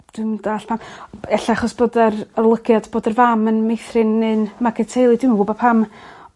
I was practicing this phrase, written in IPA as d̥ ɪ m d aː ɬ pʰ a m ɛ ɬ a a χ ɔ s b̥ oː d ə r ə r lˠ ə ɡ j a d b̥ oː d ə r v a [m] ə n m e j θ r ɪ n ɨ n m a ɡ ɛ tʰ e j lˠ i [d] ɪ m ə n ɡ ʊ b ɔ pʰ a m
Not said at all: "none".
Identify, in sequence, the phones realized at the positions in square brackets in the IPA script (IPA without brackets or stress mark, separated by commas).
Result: m, d